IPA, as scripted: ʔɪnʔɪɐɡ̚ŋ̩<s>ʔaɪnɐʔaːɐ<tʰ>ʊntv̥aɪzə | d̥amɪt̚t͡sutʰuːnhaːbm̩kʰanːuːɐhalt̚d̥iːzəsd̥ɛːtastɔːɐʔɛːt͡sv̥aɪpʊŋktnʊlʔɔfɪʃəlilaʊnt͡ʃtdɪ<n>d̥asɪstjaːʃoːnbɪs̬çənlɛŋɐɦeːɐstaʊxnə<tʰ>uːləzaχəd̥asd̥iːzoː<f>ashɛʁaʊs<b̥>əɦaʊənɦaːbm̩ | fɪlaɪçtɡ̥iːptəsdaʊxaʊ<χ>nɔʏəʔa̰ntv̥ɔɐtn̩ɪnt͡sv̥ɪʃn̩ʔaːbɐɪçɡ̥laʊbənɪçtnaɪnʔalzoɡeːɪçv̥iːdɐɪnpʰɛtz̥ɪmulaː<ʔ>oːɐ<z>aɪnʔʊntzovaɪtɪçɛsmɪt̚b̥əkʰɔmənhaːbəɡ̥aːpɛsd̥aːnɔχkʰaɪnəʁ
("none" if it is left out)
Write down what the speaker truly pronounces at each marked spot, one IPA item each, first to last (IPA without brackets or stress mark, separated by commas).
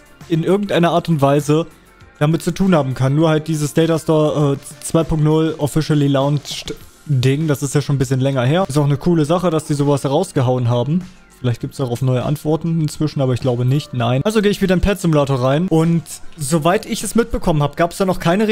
t, t, ŋ, kʰ, v, ɡ̥, f, t, ʁ